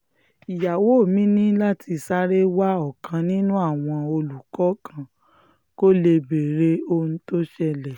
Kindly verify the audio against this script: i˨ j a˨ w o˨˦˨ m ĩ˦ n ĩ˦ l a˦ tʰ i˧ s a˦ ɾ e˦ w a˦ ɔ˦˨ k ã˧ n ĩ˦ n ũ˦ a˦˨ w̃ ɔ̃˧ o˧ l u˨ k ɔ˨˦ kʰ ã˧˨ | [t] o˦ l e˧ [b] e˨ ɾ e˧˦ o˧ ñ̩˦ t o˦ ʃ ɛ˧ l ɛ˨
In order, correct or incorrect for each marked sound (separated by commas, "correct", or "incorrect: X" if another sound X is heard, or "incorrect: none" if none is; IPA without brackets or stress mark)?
incorrect: k, correct